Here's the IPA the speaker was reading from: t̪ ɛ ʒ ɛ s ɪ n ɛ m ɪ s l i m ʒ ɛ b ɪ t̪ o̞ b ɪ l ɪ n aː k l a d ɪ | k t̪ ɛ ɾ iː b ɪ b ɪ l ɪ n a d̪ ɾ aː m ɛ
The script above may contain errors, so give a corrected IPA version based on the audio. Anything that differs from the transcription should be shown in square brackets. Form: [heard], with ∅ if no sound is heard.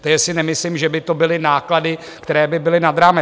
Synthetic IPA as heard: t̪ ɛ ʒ ɛ s ɪ n ɛ m ɪ s l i m ʒ ɛ b ɪ t̪ o̞ b ɪ l ɪ n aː k l a d ɪ | k t̪ ɛ ɾ [ɛː] b ɪ b ɪ l ɪ n a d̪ ɾ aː m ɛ